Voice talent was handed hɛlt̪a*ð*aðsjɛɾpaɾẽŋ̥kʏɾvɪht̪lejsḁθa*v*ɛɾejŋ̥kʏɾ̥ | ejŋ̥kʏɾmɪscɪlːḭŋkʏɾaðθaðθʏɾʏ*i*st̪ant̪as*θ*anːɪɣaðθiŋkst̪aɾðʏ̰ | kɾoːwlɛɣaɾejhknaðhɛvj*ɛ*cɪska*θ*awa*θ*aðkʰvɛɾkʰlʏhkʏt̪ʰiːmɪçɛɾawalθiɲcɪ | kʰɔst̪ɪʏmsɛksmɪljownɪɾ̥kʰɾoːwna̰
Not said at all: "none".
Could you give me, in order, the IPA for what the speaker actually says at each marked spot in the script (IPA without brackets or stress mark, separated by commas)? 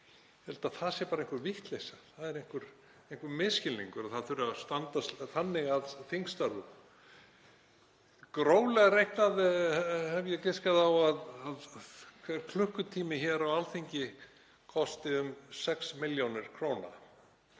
θ, ð, a, θ, ɛ, ð, ð